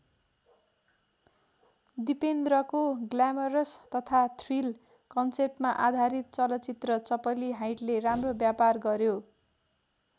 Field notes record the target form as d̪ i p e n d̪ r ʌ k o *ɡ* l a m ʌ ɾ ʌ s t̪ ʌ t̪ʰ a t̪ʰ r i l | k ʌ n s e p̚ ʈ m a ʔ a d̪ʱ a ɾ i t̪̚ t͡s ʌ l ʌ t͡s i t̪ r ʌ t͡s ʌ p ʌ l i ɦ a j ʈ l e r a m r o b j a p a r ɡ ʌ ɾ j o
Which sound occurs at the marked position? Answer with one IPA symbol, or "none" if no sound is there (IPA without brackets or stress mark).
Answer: ɡ